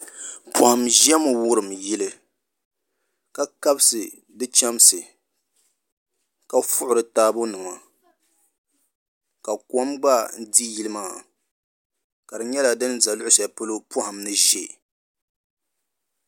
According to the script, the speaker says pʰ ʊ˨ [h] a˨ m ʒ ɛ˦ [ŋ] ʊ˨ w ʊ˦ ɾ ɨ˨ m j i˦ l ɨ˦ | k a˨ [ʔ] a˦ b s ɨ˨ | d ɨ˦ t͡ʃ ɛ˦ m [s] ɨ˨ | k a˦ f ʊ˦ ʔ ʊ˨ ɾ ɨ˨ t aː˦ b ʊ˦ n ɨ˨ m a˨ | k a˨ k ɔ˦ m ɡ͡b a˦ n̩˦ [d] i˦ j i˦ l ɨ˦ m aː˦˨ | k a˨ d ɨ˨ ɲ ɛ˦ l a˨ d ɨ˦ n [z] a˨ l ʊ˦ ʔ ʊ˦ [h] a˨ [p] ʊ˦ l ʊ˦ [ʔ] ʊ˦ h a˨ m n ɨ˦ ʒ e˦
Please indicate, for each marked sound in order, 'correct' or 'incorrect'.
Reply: correct, incorrect, incorrect, correct, correct, correct, incorrect, correct, incorrect

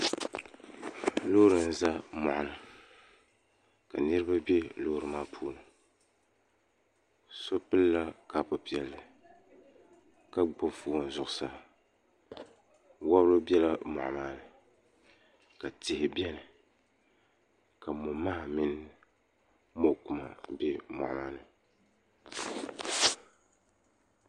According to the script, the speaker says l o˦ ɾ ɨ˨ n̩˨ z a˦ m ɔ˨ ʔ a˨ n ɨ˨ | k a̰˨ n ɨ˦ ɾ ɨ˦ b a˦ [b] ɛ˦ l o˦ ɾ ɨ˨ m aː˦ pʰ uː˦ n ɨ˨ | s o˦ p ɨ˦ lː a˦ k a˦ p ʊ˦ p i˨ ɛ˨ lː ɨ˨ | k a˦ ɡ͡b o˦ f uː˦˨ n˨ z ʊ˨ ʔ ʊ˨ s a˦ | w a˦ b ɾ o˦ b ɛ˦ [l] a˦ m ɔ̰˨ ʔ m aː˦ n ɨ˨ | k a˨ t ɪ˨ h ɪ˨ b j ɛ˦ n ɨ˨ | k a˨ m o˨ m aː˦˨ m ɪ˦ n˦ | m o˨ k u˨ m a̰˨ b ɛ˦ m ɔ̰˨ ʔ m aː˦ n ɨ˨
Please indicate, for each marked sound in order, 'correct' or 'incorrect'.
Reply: correct, correct

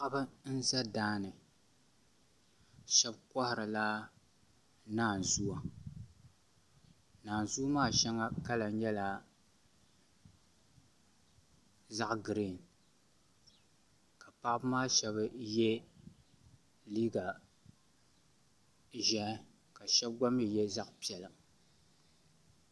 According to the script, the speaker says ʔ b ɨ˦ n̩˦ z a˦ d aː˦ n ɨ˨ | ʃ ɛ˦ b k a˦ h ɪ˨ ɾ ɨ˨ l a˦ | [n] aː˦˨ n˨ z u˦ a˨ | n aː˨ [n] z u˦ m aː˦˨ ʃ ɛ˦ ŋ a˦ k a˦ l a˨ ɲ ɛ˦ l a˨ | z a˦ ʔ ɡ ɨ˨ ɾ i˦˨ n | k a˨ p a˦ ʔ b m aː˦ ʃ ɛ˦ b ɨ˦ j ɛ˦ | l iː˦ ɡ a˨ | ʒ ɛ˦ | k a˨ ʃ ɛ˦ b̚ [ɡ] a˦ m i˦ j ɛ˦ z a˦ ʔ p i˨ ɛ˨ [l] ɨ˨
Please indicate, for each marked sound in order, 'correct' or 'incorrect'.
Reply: correct, correct, correct, correct

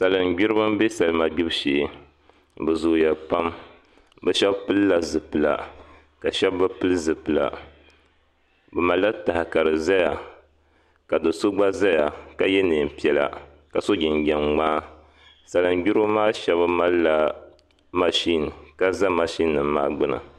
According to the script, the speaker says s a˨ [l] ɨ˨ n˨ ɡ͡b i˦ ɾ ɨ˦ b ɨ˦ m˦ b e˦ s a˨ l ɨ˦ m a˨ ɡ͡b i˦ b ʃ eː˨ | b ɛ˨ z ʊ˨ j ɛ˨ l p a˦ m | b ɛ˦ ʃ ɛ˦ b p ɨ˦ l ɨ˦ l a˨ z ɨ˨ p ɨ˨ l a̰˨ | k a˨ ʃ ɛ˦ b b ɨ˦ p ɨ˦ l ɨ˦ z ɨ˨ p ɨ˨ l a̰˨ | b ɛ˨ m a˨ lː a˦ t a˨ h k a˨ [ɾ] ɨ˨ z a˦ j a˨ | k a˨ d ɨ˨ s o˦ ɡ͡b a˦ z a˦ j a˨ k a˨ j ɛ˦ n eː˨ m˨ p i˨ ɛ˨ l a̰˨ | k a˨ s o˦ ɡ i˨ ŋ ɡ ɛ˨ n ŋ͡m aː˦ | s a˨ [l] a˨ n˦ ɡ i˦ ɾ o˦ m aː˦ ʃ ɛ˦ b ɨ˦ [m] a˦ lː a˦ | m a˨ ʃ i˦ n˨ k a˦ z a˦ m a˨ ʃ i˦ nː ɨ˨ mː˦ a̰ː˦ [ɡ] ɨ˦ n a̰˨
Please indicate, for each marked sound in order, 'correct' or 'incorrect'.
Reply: correct, correct, correct, correct, incorrect

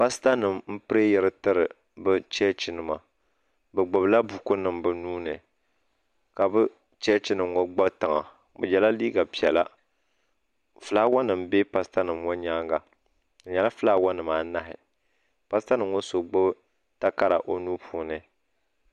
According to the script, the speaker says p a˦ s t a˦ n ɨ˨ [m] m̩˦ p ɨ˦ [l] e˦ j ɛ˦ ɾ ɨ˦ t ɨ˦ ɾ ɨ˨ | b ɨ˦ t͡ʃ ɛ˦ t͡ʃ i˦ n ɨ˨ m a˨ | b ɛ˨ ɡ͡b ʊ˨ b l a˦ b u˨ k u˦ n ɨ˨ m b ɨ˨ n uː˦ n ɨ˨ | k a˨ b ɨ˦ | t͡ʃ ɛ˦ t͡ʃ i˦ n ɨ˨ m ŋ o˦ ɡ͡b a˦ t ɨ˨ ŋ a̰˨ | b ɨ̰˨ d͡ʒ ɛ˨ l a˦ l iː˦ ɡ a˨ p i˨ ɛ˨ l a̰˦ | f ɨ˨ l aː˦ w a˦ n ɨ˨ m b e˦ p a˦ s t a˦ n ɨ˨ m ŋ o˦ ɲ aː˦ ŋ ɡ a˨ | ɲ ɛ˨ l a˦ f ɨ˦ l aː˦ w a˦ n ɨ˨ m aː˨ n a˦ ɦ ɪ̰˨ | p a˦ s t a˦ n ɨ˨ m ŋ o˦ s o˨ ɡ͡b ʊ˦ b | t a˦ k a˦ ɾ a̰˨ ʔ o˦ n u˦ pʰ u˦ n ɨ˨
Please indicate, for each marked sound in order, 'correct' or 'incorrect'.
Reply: correct, incorrect

